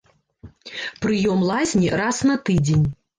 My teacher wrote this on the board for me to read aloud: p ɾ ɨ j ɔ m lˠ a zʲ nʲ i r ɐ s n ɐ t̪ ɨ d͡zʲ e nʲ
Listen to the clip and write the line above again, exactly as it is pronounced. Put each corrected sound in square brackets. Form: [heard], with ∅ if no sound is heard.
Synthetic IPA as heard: p ɾ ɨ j ɔ m lˠ a zʲ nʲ i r [a] s n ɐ t̪ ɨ d͡zʲ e nʲ